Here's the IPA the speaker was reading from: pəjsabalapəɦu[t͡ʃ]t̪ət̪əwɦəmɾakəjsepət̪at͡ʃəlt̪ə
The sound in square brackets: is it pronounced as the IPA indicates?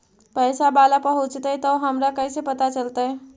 yes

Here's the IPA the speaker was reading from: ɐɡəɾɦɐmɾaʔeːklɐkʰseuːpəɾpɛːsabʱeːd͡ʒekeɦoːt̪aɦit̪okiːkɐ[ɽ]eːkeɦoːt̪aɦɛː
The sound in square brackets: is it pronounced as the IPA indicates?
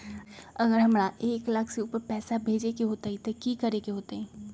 no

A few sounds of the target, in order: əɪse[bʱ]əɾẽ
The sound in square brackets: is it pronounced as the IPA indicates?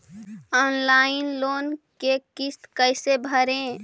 yes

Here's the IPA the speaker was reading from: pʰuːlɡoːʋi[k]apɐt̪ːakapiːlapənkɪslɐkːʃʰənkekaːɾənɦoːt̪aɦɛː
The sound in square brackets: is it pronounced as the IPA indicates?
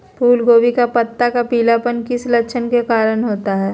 yes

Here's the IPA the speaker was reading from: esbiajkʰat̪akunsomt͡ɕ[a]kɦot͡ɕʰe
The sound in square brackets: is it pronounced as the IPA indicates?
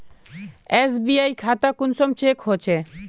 no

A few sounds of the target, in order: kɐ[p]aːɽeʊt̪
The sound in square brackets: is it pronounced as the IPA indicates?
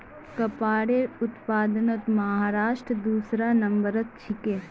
yes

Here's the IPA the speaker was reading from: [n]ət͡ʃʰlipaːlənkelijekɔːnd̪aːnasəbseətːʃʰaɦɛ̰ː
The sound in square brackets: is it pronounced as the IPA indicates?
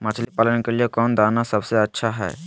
no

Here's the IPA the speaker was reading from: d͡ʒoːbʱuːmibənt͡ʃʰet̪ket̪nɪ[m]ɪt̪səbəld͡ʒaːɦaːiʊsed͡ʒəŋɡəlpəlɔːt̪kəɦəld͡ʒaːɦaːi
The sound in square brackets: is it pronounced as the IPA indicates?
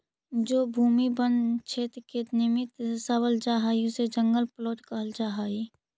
yes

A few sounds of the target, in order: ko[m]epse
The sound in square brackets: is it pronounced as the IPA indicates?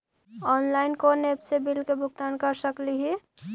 no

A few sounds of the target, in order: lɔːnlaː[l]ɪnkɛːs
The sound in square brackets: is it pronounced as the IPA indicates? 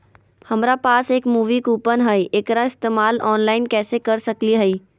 no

